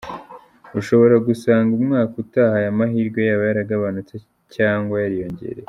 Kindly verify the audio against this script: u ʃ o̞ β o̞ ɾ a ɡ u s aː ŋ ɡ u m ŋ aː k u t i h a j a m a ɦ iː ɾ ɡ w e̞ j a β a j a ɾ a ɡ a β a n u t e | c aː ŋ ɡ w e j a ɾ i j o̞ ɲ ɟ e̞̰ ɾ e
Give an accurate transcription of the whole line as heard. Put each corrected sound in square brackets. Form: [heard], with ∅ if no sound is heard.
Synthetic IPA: u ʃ o̞ β o̞ ɾ a ɡ u s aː ŋ ɡ u m ŋ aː k u t [a] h a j a m a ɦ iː ɾ ɡ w e̞ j a β a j a ɾ a ɡ a β a n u [t͡s] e | c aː ŋ ɡ w [a] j a ɾ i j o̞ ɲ ɟ e̞̰ ɾ e